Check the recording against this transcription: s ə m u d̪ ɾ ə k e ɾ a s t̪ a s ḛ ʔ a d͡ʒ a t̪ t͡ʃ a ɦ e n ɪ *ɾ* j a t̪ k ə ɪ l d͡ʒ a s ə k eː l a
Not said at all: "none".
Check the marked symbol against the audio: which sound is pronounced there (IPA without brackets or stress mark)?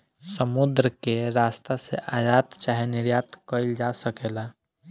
ɾ